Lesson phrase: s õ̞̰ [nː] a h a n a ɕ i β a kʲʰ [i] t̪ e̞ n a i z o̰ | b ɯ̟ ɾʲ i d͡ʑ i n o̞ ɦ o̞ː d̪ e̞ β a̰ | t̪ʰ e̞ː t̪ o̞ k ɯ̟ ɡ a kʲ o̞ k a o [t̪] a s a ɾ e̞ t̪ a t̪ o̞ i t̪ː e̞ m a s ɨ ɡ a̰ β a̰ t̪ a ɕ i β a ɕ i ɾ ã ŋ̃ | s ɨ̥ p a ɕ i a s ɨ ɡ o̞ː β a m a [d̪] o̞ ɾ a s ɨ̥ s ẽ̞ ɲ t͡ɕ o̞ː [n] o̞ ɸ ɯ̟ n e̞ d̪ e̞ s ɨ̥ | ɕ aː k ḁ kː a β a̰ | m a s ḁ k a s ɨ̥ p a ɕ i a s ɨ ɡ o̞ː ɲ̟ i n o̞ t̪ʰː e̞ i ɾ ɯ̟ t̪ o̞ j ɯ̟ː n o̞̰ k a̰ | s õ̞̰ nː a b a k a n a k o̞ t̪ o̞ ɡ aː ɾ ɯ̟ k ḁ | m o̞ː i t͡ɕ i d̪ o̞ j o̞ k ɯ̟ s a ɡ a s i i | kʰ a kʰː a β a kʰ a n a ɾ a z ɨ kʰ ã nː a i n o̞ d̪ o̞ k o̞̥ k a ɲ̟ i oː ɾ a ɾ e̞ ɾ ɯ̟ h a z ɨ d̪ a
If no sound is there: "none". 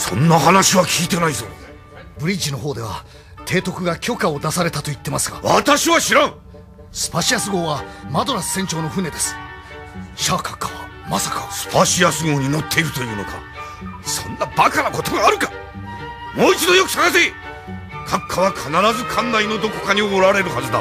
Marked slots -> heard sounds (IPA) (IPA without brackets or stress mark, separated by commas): nː, iː, d̪, d̪, n